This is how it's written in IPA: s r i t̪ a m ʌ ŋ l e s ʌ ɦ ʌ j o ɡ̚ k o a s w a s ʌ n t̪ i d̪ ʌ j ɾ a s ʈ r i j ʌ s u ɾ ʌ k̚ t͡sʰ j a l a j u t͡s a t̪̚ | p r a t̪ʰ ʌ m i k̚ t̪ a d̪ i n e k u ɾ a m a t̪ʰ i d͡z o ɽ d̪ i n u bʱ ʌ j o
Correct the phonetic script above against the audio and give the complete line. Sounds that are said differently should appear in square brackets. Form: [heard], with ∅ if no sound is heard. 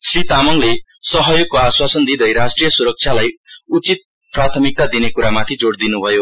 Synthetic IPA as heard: s r i t̪ a m ʌ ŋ l e s ʌ ɦ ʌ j o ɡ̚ k o a s w a s ʌ n [d̪] i d̪ ʌ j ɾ a s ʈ r i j ʌ s u ɾ ʌ k̚ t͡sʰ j a l a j u t͡s [i] t̪̚ | p r a t̪ʰ ʌ m i k̚ t̪ a d̪ i n e k u ɾ a m a t̪ʰ i d͡z o ɽ d̪ i n u bʱ ʌ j o